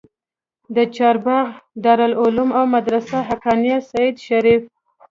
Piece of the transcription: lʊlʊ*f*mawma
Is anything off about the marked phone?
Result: yes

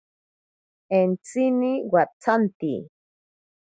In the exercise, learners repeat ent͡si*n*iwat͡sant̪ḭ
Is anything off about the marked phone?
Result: no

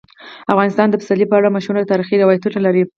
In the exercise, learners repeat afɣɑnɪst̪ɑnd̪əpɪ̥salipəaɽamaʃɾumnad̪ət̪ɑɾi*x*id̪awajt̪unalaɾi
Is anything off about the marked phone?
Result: no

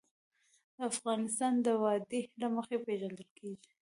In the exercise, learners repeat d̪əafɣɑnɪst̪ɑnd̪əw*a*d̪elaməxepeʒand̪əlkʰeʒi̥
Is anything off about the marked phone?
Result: yes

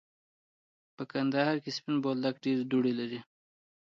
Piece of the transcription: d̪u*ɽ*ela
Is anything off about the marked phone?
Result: no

